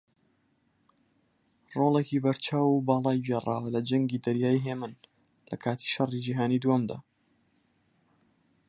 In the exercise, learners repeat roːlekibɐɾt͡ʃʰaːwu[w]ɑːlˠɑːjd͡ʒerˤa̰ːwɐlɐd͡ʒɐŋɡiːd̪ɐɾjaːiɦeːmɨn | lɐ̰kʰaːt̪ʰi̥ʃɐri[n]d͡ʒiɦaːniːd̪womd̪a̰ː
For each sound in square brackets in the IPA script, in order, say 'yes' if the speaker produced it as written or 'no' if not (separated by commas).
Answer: no, no